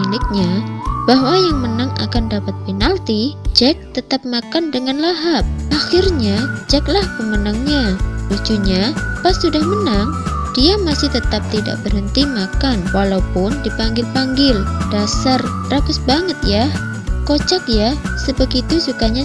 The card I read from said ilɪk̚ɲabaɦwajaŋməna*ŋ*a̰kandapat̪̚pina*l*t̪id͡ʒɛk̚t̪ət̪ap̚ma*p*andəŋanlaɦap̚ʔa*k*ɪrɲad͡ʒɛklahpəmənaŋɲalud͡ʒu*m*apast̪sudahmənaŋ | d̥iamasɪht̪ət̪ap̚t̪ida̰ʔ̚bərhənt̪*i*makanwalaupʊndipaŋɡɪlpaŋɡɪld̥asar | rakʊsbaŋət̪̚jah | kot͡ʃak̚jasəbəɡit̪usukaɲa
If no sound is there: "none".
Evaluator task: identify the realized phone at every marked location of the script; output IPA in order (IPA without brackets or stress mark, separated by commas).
ŋ, l, k, x, ɲ, i